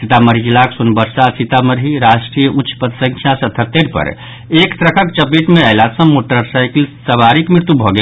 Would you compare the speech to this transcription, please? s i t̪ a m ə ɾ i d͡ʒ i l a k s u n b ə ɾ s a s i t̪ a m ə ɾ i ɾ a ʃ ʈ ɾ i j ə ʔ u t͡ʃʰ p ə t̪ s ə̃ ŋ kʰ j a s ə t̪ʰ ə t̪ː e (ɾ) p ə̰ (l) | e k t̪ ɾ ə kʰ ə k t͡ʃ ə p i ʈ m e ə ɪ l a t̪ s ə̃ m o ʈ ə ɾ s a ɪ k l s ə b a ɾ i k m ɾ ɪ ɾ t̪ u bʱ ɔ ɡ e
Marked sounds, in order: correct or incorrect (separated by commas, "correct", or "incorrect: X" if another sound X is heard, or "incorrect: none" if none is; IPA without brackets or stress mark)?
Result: correct, incorrect: ɾ